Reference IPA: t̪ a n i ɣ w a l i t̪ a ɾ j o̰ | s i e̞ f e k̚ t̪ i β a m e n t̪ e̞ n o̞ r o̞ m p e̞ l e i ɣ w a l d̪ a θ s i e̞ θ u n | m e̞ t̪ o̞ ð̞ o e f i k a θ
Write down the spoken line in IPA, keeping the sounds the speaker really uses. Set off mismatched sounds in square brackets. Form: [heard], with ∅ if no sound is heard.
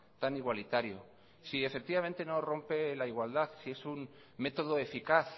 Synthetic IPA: t̪ a n i ɣ w a l i t̪ a ɾ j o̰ | s i e̞ f e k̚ t̪ i β a m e n t̪ e̞ n o̞ r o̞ m p e̞ l [a] i ɣ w a l d̪ a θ s i e̞ [s] u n | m e̞ t̪ o̞ ð̞ o e f i k a θ